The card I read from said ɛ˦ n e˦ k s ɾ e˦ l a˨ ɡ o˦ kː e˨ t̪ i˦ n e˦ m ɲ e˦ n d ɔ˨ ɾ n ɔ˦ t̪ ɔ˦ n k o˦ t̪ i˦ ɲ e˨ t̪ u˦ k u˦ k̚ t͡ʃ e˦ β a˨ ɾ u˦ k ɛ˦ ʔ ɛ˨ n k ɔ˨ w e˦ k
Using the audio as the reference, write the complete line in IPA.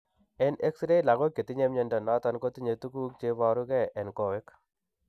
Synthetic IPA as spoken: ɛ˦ n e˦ k s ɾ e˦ l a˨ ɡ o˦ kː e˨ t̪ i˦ ɲ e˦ m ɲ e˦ n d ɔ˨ n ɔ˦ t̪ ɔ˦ n k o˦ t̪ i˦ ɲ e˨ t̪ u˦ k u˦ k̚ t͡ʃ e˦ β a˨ ɾ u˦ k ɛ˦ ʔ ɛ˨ n k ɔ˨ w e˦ k